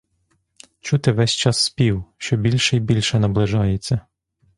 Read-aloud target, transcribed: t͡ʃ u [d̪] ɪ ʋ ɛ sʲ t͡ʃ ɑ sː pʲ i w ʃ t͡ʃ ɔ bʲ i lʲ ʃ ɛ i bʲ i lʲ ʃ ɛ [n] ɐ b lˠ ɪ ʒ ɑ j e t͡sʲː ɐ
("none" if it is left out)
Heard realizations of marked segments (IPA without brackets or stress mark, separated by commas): t̪, n